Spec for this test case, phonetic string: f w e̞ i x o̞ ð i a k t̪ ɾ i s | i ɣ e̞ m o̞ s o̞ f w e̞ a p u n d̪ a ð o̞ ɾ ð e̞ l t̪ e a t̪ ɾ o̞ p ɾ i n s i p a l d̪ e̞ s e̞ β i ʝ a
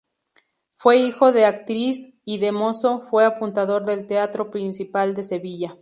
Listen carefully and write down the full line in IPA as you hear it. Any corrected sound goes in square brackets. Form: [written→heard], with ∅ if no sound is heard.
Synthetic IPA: f w e̞ i x o̞ ð [i→e] a k t̪ ɾ i s | i [ɣ→ð] e̞ m o̞ s o̞ f w e̞ a p u n [d̪→t̪] a ð o̞ ɾ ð e̞ l t̪ e a t̪ ɾ o̞ p ɾ i n s i p a l d̪ e̞ s e̞ β i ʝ a

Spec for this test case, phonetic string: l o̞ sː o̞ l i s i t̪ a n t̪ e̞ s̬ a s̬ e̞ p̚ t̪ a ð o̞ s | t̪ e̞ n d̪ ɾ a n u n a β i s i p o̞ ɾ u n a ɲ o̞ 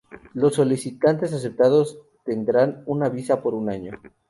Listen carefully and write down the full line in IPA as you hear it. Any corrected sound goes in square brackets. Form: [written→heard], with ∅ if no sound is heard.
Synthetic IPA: l o̞ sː o̞ l i s i t̪ a n t̪ e̞ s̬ a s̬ e̞ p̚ t̪ a ð o̞ s | t̪ e̞ n d̪ ɾ a n u n a β i s [i→a] p o̞ ɾ u n a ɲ o̞

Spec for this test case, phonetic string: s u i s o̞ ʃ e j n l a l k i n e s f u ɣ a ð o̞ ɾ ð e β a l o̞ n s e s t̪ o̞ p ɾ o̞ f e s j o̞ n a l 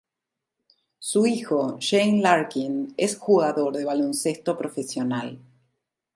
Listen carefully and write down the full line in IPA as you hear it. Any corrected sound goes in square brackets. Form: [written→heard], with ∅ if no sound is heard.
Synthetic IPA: s u i [s→x] o̞ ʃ e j n l a [l→ɾ] k i n e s [f→x] u ɣ a ð o̞ ɾ ð e β a l o̞ n s e s t̪ o̞ p ɾ o̞ f e s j o̞ n a l

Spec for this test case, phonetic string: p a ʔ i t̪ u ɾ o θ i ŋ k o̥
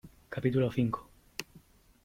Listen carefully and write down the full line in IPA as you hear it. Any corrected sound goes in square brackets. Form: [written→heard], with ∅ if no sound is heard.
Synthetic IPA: [p→k] a [ʔ→p] i t̪ u [ɾ→l] o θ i ŋ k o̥

